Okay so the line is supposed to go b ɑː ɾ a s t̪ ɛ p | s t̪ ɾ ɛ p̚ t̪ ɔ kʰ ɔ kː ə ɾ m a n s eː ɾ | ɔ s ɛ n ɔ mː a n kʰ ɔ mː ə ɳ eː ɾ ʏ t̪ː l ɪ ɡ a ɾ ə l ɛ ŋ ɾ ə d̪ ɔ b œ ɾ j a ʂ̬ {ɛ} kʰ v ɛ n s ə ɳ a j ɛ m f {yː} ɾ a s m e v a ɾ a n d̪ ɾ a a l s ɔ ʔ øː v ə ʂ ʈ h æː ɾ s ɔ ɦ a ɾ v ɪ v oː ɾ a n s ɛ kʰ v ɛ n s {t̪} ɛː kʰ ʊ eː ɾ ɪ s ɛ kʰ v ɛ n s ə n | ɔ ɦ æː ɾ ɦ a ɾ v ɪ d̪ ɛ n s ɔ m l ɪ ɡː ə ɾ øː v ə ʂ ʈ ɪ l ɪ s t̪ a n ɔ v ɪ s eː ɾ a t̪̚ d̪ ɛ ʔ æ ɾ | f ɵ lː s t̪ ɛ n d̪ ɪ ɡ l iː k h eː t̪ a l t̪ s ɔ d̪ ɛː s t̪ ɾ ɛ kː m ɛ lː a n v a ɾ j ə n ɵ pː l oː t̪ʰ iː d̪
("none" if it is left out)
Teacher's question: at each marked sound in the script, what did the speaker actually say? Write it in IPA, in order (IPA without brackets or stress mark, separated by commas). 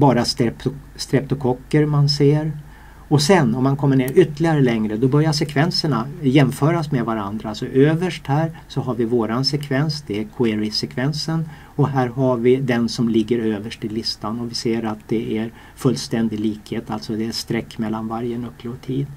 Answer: ɛ, œː, d̪